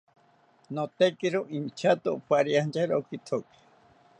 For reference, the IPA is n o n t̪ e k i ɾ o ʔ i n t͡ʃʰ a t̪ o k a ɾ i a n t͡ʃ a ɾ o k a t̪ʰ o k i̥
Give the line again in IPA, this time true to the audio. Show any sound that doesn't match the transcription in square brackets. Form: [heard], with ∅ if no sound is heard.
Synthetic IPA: n o [∅] t̪ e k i ɾ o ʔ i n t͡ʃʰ a t̪ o [p] a ɾ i a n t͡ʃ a ɾ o k [i] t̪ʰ o k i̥